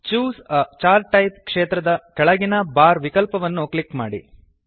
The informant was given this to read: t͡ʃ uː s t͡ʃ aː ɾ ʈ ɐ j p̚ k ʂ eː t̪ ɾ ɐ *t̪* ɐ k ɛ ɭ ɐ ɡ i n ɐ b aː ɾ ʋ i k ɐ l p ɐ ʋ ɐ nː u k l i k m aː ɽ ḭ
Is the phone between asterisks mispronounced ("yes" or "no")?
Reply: yes